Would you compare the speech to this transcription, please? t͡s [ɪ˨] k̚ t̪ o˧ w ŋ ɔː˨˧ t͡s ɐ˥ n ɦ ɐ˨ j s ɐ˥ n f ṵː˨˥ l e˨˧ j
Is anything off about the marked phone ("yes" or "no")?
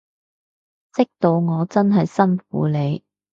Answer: yes